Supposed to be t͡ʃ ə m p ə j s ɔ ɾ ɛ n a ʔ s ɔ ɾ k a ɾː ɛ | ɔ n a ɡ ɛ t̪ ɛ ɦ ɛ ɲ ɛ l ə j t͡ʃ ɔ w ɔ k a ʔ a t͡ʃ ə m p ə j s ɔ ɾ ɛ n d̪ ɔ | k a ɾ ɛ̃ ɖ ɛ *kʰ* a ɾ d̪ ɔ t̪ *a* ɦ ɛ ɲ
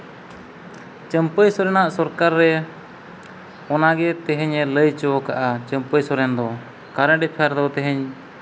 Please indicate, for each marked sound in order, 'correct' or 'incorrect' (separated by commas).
incorrect, incorrect